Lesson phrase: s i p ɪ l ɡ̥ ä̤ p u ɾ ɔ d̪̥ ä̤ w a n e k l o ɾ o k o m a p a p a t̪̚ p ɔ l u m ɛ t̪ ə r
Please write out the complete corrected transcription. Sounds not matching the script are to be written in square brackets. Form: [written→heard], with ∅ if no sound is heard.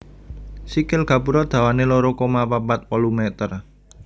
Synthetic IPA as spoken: s i [p→k] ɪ l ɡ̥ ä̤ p u ɾ ɔ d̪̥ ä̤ w a n e [k→∅] l o ɾ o k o m a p a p a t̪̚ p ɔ l u m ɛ t̪ ə r